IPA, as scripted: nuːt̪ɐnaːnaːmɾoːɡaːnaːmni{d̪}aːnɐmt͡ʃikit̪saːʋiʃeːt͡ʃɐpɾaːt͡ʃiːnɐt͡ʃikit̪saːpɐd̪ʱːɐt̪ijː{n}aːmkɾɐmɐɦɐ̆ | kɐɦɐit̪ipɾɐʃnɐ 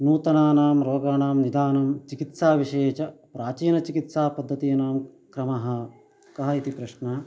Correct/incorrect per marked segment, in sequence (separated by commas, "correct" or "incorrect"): correct, correct